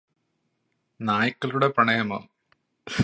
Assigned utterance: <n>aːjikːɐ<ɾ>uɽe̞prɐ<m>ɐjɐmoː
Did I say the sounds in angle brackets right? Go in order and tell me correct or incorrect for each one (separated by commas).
correct, incorrect, incorrect